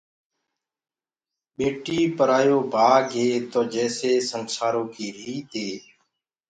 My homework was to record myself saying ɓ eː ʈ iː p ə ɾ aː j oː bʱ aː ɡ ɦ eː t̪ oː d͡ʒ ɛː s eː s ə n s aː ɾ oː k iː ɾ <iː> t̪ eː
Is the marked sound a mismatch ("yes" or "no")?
no